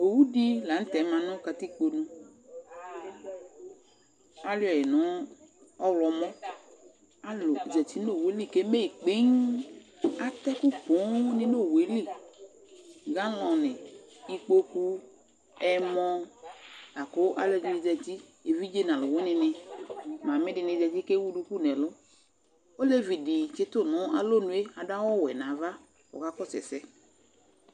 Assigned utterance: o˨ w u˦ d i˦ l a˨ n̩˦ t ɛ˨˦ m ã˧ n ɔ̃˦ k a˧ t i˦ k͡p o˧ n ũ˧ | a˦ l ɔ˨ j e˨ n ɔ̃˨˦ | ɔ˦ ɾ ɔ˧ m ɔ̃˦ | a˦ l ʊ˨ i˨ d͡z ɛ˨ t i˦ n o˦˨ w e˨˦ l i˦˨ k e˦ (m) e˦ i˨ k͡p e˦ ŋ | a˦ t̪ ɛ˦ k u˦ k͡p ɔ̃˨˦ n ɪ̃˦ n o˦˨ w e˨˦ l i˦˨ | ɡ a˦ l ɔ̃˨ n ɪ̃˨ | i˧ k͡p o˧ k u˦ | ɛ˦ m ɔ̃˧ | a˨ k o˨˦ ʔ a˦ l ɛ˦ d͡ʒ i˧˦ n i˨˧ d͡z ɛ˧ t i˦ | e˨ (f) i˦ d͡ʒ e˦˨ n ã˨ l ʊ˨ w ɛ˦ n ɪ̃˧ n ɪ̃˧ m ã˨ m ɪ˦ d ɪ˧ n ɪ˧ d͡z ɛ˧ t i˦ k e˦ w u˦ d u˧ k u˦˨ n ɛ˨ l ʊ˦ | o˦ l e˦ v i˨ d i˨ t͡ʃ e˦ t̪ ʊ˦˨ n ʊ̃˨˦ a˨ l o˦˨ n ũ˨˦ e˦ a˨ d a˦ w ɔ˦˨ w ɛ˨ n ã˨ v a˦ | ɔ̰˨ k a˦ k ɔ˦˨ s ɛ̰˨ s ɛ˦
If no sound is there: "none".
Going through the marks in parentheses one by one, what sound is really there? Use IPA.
m, v

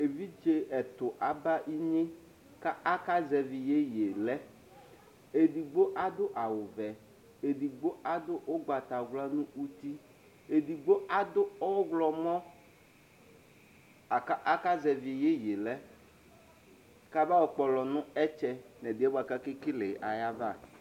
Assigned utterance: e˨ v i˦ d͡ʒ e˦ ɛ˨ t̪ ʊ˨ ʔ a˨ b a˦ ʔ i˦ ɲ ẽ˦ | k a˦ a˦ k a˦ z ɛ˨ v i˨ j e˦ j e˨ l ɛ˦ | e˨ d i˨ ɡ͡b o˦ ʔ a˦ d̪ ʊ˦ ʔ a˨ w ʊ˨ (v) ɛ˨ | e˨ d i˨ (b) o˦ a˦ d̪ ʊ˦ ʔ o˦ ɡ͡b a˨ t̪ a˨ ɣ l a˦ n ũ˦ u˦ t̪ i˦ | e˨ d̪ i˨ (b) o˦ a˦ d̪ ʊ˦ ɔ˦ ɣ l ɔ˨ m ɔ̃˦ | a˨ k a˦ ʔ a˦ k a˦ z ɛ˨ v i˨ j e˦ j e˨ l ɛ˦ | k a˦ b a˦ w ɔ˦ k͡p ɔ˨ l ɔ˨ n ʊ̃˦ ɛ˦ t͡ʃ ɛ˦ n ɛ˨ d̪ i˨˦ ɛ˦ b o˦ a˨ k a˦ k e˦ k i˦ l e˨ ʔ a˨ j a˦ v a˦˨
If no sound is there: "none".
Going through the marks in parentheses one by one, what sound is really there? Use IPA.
v, ɡ͡b, ɡ͡b

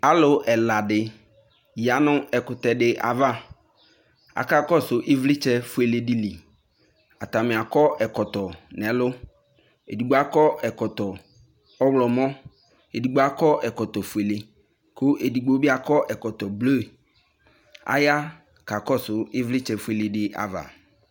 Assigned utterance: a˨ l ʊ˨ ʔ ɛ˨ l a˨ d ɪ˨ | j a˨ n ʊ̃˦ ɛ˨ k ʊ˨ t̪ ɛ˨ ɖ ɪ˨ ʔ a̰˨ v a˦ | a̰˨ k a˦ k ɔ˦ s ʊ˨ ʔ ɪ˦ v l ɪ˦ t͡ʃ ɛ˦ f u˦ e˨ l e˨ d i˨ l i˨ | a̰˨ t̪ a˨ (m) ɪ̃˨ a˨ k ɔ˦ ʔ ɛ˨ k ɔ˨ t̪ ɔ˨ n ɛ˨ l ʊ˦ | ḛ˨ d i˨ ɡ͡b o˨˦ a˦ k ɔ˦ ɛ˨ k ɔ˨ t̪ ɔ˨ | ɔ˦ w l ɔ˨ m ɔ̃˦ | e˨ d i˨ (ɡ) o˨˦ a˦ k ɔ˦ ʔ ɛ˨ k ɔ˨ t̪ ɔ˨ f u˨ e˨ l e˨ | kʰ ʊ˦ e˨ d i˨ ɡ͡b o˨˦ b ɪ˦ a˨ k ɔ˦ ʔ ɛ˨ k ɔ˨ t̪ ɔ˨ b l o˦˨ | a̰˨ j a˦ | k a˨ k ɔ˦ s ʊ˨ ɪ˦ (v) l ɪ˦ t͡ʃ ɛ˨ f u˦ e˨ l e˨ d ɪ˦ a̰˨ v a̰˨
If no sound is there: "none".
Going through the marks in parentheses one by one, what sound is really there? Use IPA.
m, ɡ͡b, v

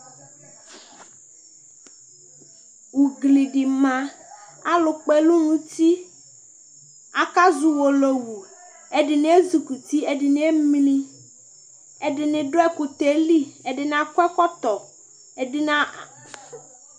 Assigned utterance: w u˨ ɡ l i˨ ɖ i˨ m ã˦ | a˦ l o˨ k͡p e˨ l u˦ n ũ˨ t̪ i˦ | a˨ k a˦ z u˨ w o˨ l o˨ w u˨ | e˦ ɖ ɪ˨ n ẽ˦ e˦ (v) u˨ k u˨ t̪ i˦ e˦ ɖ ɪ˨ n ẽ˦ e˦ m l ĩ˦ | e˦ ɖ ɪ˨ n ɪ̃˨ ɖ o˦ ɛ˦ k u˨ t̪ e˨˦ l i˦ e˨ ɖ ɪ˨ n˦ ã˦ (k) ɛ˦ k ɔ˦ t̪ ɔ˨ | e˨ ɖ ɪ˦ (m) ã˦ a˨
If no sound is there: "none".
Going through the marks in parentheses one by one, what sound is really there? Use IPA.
z, k, n

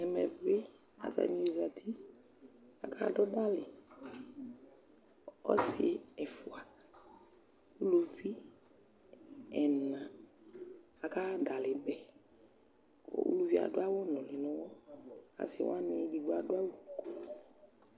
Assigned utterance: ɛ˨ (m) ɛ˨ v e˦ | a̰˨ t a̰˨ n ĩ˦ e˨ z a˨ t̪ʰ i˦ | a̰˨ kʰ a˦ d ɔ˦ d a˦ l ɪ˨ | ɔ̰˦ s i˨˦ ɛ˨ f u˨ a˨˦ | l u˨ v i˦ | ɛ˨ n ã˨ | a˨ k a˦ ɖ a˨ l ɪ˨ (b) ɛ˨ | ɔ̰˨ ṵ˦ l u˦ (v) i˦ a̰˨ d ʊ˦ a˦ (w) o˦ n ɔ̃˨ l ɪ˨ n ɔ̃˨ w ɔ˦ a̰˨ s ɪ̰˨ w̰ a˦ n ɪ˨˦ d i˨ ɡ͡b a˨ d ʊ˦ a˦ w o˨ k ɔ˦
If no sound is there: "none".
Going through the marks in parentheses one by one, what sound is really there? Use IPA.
m, b, v, w

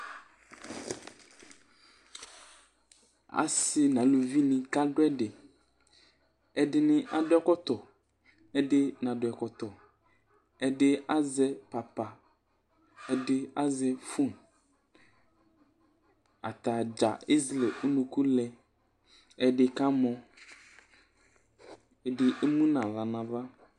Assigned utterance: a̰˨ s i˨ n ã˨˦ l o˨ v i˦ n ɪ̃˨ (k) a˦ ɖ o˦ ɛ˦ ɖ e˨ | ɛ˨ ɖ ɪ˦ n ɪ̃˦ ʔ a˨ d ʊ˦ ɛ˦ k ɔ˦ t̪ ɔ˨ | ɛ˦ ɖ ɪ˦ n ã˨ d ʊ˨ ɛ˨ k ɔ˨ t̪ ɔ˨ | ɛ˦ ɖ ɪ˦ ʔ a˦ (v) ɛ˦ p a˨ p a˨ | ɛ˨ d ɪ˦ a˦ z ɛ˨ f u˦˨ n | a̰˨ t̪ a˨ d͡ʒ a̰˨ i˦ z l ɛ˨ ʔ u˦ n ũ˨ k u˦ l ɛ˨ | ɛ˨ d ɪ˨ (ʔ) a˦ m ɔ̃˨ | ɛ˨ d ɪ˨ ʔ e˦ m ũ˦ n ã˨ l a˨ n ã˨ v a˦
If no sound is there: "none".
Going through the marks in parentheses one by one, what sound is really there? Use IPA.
k, z, k

